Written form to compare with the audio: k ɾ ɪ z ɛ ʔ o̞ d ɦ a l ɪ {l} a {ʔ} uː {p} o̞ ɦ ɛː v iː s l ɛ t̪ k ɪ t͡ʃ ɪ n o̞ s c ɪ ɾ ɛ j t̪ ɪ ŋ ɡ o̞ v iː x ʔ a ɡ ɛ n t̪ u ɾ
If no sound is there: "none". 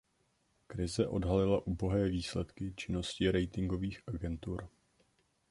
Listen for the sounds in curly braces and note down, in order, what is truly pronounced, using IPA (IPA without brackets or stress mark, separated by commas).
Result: l, ʔ, b